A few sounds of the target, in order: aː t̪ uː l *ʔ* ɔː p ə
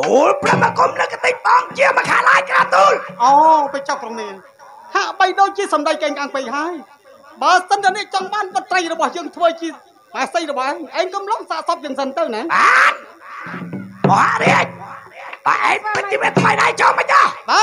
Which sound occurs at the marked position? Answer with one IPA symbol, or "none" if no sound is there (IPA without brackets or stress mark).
ʔ